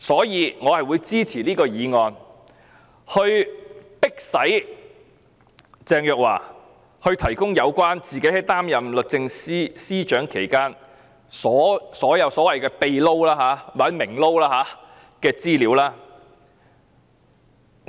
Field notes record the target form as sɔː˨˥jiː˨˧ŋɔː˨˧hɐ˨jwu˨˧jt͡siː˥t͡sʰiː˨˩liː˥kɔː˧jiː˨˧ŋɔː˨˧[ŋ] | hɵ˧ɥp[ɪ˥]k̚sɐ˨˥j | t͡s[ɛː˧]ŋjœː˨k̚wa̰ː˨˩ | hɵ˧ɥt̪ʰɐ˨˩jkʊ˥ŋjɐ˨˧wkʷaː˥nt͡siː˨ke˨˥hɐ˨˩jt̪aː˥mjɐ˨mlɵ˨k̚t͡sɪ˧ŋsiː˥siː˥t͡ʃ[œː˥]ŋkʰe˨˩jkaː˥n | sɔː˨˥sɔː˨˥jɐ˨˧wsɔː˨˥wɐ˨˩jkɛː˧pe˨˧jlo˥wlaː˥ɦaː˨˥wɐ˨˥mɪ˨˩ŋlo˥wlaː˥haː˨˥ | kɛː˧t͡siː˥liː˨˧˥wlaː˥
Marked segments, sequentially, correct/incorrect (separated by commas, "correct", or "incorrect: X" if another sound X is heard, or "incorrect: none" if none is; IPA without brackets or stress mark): incorrect: n, correct, correct, incorrect: œː˨˥